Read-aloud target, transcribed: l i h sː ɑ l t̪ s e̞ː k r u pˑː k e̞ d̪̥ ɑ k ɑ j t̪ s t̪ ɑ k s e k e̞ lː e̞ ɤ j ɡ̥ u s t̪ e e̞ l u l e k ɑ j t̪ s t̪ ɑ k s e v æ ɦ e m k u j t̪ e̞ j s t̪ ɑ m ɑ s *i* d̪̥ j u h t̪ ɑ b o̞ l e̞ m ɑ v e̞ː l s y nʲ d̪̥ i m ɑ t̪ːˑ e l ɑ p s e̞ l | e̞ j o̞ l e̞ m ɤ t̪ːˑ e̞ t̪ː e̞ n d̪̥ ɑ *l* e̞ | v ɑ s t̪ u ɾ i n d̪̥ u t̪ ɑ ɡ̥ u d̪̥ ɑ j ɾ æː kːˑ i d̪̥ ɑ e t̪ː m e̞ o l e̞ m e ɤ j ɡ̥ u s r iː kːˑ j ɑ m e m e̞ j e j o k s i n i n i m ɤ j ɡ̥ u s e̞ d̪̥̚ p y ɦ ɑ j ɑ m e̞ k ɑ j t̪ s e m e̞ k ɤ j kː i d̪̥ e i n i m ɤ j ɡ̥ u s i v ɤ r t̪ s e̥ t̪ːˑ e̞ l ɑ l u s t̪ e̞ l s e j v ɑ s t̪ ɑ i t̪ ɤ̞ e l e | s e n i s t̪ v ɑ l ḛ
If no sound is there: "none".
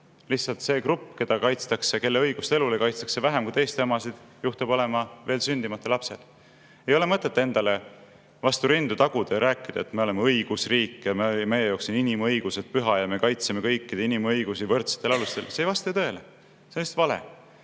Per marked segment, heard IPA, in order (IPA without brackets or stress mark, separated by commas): i, l